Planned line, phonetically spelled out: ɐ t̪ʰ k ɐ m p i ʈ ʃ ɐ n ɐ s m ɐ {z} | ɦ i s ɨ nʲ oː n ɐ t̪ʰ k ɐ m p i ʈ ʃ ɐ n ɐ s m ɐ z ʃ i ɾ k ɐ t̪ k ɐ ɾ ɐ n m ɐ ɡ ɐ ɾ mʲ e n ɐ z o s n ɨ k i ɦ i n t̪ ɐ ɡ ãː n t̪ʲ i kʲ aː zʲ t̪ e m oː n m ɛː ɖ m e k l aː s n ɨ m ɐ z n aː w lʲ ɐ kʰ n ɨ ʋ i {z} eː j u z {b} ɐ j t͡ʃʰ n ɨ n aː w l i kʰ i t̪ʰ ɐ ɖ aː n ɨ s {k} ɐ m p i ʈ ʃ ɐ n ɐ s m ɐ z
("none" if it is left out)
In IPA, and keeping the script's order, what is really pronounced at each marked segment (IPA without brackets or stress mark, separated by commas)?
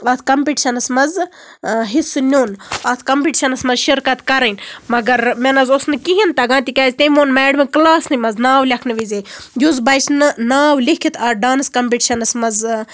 z, z, b, k